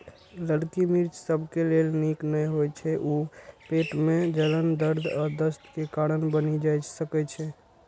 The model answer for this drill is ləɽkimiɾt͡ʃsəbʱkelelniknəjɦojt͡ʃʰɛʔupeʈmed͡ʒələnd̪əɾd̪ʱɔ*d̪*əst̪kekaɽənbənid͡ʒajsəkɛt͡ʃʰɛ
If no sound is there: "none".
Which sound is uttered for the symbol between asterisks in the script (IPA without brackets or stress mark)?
d̪